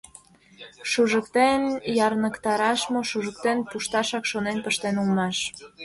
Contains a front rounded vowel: no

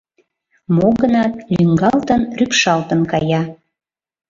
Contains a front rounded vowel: yes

